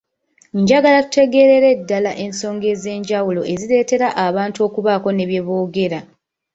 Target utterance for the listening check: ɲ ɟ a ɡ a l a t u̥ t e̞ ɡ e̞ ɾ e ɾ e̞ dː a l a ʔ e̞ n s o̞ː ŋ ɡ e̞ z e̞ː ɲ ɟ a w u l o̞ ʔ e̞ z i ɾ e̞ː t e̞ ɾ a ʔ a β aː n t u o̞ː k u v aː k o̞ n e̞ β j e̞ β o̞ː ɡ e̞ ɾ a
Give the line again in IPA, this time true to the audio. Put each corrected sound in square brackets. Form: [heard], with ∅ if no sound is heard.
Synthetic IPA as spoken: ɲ ɟ a ɡ a l a t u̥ t e̞ ɡ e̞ ɾ e ɾ e̞ dː a l a ʔ e̞ n s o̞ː ŋ ɡ e̞ z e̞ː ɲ ɟ a w u l o̞ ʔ e̞ z i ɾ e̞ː t e̞ ɾ a ʔ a β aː n t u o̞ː k u [β] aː k o̞ n e̞ β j e̞ β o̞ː ɡ e̞ ɾ a